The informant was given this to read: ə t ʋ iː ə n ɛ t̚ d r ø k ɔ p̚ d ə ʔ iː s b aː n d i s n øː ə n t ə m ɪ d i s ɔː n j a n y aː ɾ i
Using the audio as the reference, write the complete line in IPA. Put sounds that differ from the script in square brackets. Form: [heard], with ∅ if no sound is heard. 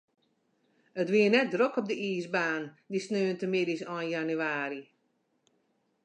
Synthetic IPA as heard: ə t ʋ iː ə n ɛ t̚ d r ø k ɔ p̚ d ə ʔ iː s b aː n d i s n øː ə n t ə m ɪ d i s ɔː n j a n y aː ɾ i